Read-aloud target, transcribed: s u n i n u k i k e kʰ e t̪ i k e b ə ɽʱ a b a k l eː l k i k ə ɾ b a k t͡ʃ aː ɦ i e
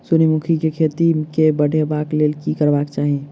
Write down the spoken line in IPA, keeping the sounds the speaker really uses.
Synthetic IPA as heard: s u n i m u kʰ i k e kʰ e t̪ i k e b ə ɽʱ e b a k l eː l k i k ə ɾ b a k t͡ʃ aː ɦ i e